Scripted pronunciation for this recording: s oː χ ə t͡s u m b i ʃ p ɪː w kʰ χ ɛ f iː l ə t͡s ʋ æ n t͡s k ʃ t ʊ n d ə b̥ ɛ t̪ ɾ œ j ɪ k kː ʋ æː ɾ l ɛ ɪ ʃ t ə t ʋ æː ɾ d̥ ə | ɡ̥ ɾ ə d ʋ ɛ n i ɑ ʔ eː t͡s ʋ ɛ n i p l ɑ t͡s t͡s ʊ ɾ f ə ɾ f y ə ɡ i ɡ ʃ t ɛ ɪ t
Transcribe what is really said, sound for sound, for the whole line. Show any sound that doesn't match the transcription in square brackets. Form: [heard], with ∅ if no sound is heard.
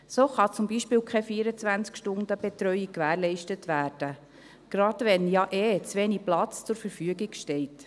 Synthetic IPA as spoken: s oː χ [ɑ] t͡s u m b i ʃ p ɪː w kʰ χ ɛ f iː [ɾ] ə t͡s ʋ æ n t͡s k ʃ t ʊ n d ə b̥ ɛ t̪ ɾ œ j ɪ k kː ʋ æː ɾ l ɛ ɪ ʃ t ə t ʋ æː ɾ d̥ ə | ɡ̥ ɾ [ɑ] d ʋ ɛ n [j] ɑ ʔ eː t͡s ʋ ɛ n i p l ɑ t͡s t͡s ʊ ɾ f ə ɾ f y ə ɡ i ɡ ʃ t ɛ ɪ t